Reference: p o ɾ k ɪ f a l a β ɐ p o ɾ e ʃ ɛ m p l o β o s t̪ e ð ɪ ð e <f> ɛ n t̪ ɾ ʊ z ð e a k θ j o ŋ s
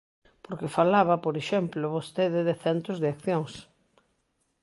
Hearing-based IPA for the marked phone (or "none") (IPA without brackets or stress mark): θ